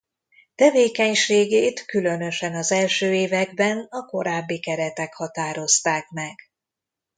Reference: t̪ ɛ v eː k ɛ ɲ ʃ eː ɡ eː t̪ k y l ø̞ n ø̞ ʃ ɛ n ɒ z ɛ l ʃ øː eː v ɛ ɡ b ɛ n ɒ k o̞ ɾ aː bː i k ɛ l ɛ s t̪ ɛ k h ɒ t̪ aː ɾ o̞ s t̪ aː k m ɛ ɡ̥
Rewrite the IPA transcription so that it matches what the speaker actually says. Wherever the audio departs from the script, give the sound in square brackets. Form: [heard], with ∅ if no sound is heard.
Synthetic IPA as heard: t̪ ɛ v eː k ɛ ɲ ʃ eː ɡ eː t̪ k y l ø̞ n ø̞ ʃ ɛ n ɒ z ɛ l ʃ øː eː v ɛ ɡ b ɛ n ɒ k o̞ ɾ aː bː i k ɛ [ɾ] ɛ [∅] t̪ ɛ k h ɒ t̪ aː ɾ o̞ s t̪ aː k m ɛ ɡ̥

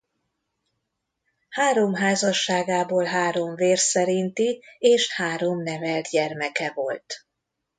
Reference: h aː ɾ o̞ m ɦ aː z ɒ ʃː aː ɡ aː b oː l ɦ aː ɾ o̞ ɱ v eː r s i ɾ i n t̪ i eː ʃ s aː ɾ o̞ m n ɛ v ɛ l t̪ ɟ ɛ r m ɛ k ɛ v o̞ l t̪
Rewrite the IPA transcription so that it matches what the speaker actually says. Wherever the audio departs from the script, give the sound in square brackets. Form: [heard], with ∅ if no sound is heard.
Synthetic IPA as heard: h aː ɾ o̞ m ɦ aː z ɒ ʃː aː ɡ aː b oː l ɦ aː ɾ o̞ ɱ v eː r s [ɛ] ɾ i n t̪ i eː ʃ [h] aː ɾ o̞ m n ɛ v ɛ l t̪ ɟ ɛ r m ɛ k ɛ v o̞ l t̪

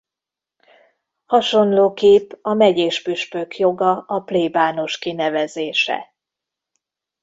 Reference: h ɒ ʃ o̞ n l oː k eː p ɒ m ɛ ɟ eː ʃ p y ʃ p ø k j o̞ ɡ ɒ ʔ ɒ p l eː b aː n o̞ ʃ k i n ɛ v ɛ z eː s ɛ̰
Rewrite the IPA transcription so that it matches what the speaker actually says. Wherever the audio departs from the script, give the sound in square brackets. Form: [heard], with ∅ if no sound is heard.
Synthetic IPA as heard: h ɒ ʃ o̞ n l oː k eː p ɒ m ɛ ɟ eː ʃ p y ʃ p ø k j o̞ ɡ ɒ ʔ ɒ p l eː b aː n o̞ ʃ k i n ɛ v ɛ z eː [ʃ] ɛ̰

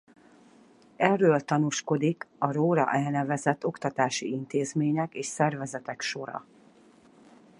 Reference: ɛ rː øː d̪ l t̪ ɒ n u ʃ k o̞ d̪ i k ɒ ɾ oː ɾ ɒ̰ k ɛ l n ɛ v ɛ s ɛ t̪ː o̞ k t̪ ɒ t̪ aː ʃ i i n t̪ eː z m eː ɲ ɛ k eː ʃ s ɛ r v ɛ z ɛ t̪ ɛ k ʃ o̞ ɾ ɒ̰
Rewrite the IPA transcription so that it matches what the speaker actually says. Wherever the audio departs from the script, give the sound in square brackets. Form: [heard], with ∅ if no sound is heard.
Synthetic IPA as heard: ɛ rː øː [∅] l t̪ ɒ n u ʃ k o̞ d̪ i k ɒ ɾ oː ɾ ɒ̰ [ʔ] ɛ l n ɛ v ɛ [z] ɛ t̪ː o̞ k t̪ ɒ t̪ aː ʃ i i n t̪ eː z m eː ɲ ɛ k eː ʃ s ɛ r v ɛ z ɛ t̪ ɛ k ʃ o̞ ɾ ɒ̰

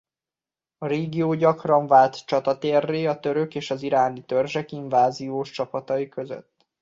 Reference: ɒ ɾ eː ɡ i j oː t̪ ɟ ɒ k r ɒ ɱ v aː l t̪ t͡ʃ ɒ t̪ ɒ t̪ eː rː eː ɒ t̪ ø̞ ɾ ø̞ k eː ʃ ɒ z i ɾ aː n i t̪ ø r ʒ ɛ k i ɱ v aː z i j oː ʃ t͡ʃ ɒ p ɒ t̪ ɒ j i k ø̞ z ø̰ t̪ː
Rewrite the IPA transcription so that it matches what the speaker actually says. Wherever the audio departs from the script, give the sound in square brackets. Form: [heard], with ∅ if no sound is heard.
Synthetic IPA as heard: ɒ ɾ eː ɡ i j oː [∅] ɟ ɒ k r ɒ ɱ v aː l t̪ t͡ʃ ɒ t̪ ɒ t̪ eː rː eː ɒ t̪ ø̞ ɾ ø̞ k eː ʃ ɒ z i ɾ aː n i t̪ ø r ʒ ɛ k i ɱ v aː z i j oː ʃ t͡ʃ ɒ p ɒ t̪ ɒ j i k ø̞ z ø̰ t̪ː

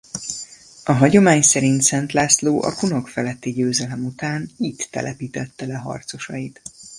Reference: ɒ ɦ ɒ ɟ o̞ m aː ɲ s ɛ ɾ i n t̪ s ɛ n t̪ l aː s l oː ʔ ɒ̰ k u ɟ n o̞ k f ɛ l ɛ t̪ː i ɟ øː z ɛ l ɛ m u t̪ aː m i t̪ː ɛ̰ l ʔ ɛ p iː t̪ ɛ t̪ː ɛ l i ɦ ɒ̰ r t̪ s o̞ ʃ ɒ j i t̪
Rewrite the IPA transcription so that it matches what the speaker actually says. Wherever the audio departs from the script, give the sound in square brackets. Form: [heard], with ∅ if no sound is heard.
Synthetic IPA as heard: ɒ ɦ ɒ ɟ o̞ m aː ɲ s ɛ ɾ i n t̪ s ɛ n t̪ l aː s l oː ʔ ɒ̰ k u [∅] n o̞ k f ɛ l ɛ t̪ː i ɟ øː z ɛ l ɛ m u t̪ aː [n] i t̪ː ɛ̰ l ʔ ɛ p iː t̪ ɛ t̪ː ɛ l [ɛ] ɦ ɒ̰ r t̪ s o̞ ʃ ɒ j i t̪

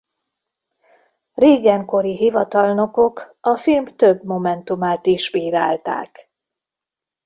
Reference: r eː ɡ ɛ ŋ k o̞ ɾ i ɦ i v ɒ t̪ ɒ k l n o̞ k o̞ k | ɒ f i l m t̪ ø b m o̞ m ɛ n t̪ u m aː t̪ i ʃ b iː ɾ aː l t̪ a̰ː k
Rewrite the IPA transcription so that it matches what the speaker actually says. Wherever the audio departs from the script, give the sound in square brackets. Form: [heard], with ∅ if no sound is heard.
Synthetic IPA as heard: r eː ɡ ɛ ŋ k o̞ ɾ i ɦ i v ɒ t̪ ɒ [∅] l n o̞ k o̞ k | ɒ f i l m t̪ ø b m o̞ m ɛ n t̪ u m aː t̪ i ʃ b iː ɾ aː l t̪ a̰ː k

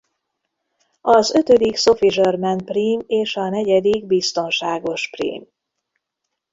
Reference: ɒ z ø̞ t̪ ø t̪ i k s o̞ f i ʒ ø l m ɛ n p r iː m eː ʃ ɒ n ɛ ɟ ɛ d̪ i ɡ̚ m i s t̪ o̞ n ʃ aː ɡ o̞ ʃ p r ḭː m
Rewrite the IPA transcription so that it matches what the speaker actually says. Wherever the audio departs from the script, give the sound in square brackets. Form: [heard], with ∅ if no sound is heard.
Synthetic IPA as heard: ɒ z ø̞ t̪ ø [d̪] i k s o̞ f i ʒ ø [r] m ɛ n p r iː m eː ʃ ɒ n ɛ ɟ ɛ d̪ i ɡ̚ [b] i s t̪ o̞ n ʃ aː ɡ o̞ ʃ p r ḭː m

